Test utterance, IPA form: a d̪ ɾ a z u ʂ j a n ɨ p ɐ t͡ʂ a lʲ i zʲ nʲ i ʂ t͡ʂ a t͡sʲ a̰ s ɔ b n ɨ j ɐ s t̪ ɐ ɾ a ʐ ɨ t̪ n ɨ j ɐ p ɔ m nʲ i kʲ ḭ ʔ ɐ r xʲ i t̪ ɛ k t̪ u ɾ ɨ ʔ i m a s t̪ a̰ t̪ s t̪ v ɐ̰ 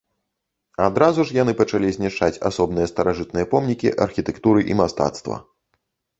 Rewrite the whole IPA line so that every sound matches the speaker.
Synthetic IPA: a d̪ ɾ a z u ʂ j a n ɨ p ɐ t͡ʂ a lʲ i zʲ nʲ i ʂ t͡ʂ a t͡sʲ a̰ s ɔ b n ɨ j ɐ s t̪ ɐ ɾ a ʐ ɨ t̪ n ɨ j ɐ p ɔ m nʲ i kʲ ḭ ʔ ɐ r xʲ i t̪ ɛ k t̪ u ɾ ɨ ʔ i m a s t̪ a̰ t̪ s t̪ v ɐ̰